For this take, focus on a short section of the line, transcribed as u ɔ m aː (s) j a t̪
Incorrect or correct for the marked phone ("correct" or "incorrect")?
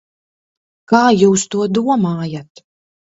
incorrect